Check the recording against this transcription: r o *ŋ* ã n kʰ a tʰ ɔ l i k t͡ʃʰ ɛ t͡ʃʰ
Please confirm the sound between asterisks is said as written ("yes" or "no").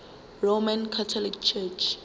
no